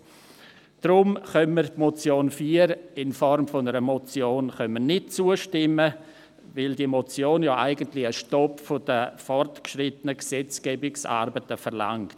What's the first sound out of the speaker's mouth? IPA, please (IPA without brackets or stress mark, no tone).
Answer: d̥